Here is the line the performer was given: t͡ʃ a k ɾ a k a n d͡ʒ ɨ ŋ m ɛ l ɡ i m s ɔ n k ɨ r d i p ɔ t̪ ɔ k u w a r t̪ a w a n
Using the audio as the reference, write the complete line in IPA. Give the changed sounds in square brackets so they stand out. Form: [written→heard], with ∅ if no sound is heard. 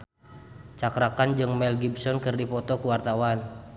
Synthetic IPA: t͡ʃ a k ɾ a k a n d͡ʒ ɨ ŋ m ɛ l ɡ i [m→b] s ɔ n k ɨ r d i p ɔ t̪ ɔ k u w a r t̪ a w a n

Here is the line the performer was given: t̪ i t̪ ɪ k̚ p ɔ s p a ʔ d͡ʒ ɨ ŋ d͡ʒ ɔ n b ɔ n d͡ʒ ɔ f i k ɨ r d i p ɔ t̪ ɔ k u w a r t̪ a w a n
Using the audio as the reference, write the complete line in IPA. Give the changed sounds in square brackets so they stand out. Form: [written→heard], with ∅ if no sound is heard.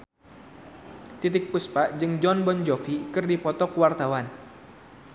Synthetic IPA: t̪ i t̪ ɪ k̚ p [ɔ→u] s p a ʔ d͡ʒ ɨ ŋ d͡ʒ ɔ n b ɔ n d͡ʒ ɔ f i k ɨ r d i p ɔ t̪ ɔ k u w a r t̪ a w a n

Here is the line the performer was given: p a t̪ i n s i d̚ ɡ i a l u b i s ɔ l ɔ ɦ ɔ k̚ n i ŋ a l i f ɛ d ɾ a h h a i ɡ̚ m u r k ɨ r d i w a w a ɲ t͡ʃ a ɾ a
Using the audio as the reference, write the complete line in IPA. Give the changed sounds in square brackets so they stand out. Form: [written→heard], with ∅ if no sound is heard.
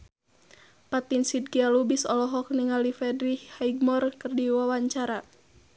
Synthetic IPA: p a t̪ i n s i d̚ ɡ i a l u b i s ɔ l ɔ ɦ ɔ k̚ n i ŋ a l i f ɛ d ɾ [a→i] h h a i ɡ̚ m [u→ɔ] r k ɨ r d i w a w a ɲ t͡ʃ a ɾ a

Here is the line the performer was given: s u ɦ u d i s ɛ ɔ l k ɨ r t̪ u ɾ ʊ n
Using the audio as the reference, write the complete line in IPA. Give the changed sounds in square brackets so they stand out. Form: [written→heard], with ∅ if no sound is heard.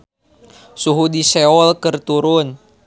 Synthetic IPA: s u ɦ u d i s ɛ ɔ l k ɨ r t̪ u ɾ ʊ n

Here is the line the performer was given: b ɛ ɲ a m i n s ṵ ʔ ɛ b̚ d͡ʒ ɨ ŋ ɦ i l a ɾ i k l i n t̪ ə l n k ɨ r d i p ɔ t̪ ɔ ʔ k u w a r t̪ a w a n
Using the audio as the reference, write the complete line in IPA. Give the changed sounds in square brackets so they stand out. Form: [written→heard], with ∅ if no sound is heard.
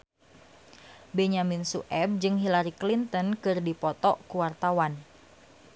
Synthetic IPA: b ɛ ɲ a m i n s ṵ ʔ ɛ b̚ d͡ʒ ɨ ŋ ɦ i l a ɾ i k l i n t̪ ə [l→∅] n k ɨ r d i p ɔ t̪ ɔ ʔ k u w a r t̪ a w a n

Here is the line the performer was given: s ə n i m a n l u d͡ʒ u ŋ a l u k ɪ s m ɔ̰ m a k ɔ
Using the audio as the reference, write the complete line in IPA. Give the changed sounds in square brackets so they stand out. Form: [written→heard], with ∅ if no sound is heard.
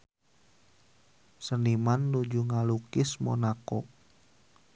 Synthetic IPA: s ə n i m a n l u d͡ʒ u ŋ a l u k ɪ s m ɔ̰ [m→n] a k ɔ

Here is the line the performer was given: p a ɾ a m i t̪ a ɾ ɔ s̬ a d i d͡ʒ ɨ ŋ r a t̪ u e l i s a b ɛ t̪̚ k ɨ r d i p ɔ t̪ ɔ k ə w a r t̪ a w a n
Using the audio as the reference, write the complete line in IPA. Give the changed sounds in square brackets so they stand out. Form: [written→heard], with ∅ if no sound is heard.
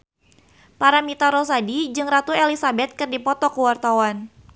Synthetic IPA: p a ɾ a m i t̪ a ɾ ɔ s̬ a d i d͡ʒ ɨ ŋ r a t̪ u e l i s a b ɛ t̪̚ k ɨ r d i p ɔ t̪ ɔ k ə w a r t̪ a w a n

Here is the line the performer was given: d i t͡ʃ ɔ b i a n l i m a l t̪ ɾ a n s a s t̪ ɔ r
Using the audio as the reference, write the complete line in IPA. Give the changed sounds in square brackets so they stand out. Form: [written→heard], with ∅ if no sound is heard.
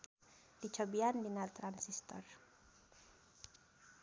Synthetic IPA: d i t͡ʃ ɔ b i a n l i [m→n] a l t̪ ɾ a n s [a→i] s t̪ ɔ r

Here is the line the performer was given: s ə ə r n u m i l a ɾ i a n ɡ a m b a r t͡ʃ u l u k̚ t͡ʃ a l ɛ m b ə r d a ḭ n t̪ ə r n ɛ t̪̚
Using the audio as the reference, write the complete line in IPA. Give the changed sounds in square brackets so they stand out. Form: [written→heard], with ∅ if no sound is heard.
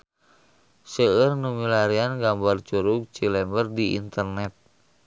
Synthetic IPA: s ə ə r n u m i l a ɾ i a n ɡ a m b a r t͡ʃ u [l→ɾ] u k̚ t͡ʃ [a→i] l ɛ m b ə r d [a→i] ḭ n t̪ ə r n ɛ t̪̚

